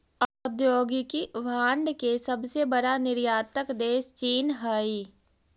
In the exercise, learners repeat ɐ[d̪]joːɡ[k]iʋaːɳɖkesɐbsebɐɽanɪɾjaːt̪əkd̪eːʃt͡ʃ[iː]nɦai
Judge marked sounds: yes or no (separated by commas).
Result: yes, yes, yes